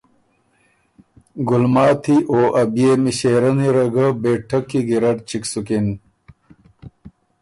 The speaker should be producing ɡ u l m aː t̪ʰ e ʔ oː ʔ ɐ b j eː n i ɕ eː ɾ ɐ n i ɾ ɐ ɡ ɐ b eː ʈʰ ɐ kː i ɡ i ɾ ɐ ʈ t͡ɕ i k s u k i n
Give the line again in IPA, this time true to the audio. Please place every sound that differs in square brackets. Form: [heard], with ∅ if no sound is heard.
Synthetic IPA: ɡ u l m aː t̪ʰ [i] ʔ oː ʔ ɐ b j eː [m] i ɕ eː ɾ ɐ n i ɾ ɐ ɡ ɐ b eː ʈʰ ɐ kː i ɡ i ɾ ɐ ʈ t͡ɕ i k s u k i n